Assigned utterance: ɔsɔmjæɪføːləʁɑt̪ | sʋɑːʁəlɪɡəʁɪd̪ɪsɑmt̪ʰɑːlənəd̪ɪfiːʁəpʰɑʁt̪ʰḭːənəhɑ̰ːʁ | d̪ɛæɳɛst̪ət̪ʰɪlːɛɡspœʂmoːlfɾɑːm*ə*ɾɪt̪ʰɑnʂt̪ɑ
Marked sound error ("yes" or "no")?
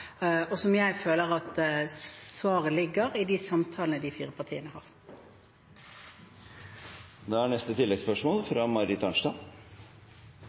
yes